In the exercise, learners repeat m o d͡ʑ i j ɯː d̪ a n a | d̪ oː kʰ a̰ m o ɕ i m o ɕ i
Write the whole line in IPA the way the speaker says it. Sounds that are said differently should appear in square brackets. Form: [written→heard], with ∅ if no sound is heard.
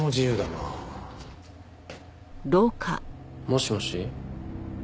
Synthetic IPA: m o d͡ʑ i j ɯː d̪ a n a | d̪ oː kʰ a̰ m o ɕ i m o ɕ i